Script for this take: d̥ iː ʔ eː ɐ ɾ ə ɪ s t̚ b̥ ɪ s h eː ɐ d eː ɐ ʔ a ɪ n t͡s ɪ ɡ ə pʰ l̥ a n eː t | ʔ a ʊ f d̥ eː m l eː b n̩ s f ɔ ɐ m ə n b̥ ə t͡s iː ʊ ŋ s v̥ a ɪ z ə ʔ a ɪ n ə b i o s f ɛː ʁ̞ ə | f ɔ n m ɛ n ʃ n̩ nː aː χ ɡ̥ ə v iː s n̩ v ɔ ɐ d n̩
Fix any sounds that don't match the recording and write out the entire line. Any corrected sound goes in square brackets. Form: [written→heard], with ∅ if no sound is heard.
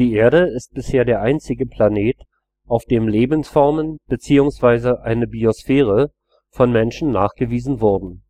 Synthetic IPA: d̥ iː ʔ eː ɐ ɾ ə ɪ s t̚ b̥ ɪ s h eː ɐ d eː ɐ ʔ a ɪ n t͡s ɪ ɡ ə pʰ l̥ a n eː t | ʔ a ʊ f d̥ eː m l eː b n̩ s f ɔ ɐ m ə n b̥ ə t͡s iː ʊ ŋ s v̥ a ɪ z ə ʔ a ɪ n ə b i o s f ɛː ʁ̞ ə | f ɔ n m ɛ n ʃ n̩ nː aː χ ɡ̥ ə v iː [s→z] n̩ v ɔ ɐ d n̩